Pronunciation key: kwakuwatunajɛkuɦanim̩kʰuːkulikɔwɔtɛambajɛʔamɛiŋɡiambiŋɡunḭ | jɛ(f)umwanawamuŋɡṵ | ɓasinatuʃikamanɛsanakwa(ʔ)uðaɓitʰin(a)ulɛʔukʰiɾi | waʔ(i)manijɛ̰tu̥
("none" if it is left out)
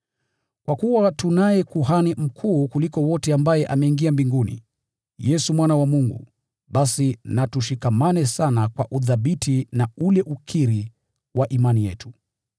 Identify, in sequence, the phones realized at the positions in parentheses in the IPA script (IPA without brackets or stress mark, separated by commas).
s, ʔ, a, i